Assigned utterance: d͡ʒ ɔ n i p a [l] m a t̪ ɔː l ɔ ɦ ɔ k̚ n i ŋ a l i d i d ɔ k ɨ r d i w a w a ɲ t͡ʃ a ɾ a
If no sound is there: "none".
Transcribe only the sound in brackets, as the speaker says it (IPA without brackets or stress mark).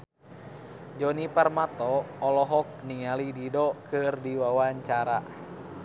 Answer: r